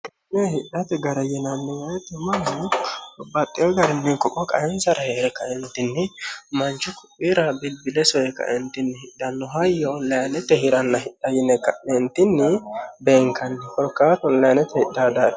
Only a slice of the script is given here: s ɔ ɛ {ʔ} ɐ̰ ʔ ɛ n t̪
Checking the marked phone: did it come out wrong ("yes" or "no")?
yes